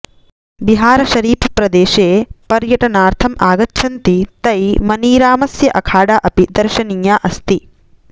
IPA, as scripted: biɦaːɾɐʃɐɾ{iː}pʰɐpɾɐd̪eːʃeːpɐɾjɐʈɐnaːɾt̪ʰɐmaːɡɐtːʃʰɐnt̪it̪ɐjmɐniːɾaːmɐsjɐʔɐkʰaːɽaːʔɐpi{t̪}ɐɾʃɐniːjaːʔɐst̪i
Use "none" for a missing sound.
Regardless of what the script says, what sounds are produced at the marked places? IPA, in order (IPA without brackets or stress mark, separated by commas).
iː, d̪